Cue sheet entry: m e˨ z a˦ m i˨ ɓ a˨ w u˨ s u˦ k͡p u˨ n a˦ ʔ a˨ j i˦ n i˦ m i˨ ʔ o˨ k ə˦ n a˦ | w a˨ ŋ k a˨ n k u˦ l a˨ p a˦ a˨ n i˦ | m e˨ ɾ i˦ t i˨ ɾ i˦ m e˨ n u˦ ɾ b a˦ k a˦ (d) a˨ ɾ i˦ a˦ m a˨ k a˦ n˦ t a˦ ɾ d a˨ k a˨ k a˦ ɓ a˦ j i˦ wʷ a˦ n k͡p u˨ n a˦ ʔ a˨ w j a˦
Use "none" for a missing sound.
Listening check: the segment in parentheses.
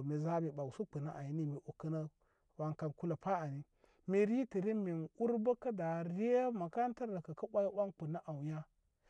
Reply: d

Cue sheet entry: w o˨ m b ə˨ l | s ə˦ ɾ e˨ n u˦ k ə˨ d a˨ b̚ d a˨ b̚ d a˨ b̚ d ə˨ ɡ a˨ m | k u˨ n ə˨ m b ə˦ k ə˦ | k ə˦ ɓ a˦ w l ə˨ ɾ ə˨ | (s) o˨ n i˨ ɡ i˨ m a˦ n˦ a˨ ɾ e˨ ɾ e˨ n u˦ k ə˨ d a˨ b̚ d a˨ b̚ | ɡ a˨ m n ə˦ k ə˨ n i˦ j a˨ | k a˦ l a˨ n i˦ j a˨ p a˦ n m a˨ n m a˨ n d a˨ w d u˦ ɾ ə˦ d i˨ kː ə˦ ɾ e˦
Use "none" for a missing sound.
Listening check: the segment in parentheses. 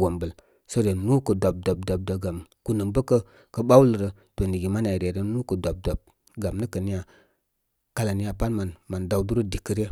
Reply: t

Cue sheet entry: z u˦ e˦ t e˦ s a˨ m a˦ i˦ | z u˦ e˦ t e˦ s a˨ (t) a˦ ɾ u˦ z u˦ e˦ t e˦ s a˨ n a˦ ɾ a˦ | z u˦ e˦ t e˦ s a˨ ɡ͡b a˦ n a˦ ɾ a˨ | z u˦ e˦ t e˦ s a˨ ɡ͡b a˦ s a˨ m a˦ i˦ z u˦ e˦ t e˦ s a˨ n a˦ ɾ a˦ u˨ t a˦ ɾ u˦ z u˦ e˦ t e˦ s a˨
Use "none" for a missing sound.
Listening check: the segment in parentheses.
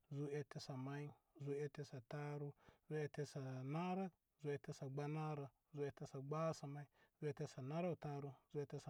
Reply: t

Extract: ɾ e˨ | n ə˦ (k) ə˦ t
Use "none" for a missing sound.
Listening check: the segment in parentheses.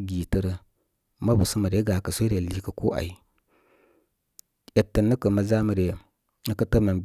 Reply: k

